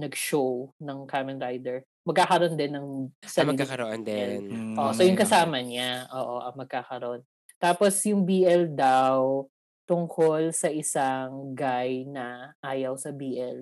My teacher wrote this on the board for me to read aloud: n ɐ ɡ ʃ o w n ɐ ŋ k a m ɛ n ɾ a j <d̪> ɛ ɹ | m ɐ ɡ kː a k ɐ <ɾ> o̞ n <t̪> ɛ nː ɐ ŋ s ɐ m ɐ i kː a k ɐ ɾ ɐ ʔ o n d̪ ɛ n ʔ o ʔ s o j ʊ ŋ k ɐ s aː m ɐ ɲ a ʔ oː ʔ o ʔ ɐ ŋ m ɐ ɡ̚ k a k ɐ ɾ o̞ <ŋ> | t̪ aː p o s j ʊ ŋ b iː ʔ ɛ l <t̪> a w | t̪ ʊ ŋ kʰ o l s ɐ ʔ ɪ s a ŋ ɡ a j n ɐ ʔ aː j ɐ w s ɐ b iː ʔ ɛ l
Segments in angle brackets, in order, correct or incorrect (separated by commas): correct, correct, incorrect, incorrect, incorrect